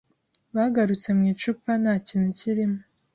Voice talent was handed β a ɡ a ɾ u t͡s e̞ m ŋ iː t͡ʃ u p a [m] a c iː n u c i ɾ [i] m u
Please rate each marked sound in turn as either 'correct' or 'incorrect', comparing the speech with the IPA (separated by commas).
incorrect, correct